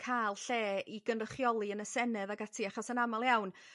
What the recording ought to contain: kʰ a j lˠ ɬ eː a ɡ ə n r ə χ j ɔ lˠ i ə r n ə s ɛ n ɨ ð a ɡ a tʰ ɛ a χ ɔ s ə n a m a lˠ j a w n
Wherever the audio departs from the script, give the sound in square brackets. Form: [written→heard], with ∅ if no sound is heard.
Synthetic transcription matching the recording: kʰ a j lˠ ɬ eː [a→i] ɡ ə n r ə χ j ɔ lˠ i ə [r→∅] n ə s ɛ n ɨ ð a ɡ a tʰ [ɛ→i] a χ ɔ s ə n a m a lˠ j a w n